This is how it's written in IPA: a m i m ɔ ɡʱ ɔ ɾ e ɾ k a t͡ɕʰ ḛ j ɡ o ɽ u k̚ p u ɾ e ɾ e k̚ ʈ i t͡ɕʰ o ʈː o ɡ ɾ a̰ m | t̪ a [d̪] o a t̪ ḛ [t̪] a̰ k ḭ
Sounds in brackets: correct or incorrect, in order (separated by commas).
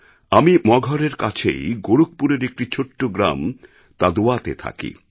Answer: correct, incorrect